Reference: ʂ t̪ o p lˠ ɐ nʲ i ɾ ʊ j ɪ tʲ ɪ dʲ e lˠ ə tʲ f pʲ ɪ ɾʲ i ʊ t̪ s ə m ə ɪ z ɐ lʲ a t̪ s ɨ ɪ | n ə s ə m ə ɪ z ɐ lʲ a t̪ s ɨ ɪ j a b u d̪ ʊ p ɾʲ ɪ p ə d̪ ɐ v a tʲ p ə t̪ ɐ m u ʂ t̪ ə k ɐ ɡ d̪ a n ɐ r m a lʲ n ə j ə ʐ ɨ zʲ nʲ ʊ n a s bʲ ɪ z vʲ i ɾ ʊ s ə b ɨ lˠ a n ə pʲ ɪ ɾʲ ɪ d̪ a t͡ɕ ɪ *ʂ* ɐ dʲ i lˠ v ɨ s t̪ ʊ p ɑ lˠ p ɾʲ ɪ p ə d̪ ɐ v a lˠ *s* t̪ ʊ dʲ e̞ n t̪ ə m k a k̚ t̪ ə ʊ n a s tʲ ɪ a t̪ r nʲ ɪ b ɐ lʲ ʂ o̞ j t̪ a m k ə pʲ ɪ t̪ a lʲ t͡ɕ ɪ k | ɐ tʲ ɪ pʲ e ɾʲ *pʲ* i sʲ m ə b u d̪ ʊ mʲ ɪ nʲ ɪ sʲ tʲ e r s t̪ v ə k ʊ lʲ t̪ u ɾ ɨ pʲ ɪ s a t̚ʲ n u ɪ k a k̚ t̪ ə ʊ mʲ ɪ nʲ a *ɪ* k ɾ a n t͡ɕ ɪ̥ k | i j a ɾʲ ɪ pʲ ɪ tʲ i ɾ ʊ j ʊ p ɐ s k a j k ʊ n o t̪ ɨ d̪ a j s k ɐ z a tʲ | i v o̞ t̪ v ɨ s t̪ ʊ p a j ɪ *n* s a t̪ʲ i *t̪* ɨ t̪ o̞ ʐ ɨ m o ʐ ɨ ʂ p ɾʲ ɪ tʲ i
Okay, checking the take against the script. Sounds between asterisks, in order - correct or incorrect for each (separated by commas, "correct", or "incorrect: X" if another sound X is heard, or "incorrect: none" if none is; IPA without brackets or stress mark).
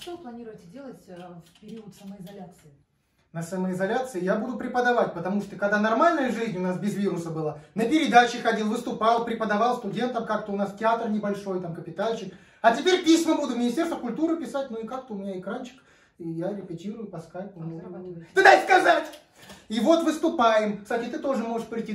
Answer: incorrect: x, correct, correct, correct, incorrect: m, correct